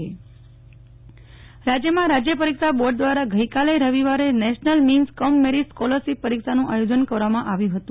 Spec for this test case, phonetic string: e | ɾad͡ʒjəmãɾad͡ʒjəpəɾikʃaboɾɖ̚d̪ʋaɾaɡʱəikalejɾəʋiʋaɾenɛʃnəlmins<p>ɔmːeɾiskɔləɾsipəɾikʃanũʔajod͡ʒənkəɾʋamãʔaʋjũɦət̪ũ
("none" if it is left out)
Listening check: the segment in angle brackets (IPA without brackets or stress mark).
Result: k